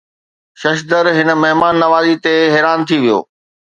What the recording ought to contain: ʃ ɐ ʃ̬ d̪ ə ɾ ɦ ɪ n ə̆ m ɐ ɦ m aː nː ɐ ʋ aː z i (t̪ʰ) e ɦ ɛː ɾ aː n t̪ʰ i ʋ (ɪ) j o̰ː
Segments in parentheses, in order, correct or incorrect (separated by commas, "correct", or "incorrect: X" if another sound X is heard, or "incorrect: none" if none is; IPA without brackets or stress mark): incorrect: t̪, incorrect: i